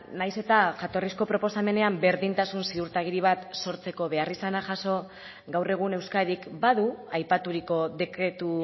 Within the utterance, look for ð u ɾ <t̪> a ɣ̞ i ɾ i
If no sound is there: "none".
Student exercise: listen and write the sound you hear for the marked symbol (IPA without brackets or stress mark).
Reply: t̪